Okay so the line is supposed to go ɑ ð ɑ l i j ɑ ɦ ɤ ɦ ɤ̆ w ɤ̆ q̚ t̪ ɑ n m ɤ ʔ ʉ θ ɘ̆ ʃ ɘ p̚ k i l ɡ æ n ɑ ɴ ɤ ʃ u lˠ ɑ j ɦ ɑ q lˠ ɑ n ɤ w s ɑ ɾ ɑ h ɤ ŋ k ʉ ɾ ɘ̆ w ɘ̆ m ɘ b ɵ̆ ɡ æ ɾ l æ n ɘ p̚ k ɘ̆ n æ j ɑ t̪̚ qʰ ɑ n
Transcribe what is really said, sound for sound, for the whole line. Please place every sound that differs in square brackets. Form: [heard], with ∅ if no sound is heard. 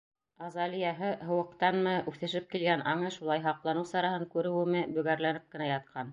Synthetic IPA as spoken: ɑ [z] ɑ l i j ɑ ɦ ɤ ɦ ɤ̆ w ɤ̆ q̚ t̪ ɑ n m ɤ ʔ ʉ θ ɘ̆ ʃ ɘ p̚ k i l ɡ æ n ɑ ɴ ɤ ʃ u lˠ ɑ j ɦ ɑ q lˠ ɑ n ɤ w s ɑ ɾ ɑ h ɤ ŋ k ʉ ɾ ɘ̆ w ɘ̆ m ɘ b ɵ̆ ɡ æ ɾ l æ n ɘ p̚ k ɘ̆ n æ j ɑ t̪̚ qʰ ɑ n